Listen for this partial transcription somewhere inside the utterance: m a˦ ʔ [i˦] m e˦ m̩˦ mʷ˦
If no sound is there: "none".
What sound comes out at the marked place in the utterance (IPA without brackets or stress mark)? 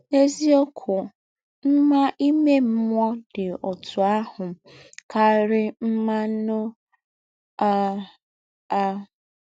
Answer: i˦